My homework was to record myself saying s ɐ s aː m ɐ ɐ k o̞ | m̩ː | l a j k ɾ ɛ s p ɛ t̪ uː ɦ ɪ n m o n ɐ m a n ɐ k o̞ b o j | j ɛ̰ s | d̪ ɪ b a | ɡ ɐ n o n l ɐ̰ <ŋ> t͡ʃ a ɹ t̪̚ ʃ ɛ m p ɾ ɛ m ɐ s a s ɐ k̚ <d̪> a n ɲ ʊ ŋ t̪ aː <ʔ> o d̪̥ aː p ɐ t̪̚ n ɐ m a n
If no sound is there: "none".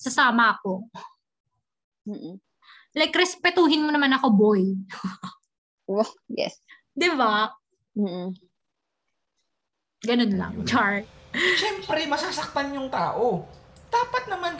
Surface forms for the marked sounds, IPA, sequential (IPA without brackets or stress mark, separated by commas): ŋ, t̪, ʔ